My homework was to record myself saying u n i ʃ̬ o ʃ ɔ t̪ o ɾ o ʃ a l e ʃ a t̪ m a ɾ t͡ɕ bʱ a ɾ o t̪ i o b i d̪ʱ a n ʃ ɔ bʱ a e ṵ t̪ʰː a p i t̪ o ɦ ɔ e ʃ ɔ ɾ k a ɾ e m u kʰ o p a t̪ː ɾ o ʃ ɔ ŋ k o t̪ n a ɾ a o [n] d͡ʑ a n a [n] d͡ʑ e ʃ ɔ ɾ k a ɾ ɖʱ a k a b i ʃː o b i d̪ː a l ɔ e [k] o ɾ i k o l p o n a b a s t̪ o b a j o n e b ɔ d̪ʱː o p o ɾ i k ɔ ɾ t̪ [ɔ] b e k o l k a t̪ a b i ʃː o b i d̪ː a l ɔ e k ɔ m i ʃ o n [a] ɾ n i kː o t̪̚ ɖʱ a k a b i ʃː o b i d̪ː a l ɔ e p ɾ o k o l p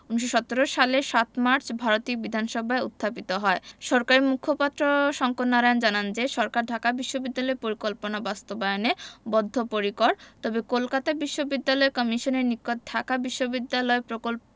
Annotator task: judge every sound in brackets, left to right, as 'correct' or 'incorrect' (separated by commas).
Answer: correct, correct, incorrect, correct, incorrect